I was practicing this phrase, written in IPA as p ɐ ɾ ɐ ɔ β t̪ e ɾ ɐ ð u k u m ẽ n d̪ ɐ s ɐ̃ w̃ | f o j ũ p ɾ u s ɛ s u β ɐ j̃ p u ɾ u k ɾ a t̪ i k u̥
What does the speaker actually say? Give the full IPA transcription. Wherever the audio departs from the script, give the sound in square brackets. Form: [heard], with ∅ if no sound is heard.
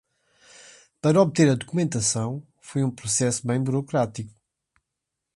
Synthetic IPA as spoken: p ɐ ɾ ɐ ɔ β t̪ e ɾ ɐ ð u k u m ẽ n [t̪] ɐ s ɐ̃ w̃ | f o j ũ p ɾ u s ɛ s u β [ɐ̃] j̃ [b] u ɾ u k ɾ a t̪ i k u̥